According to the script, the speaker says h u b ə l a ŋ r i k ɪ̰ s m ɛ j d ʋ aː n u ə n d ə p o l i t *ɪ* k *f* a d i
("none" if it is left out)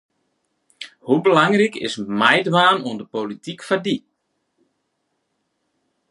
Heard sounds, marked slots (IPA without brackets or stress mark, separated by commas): i, f